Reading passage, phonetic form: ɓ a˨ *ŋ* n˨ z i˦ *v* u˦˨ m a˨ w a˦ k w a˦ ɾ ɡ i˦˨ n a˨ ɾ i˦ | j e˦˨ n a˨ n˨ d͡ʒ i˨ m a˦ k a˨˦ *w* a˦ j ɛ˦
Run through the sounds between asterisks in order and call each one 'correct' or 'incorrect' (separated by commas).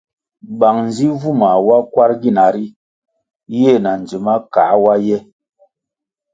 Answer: correct, correct, correct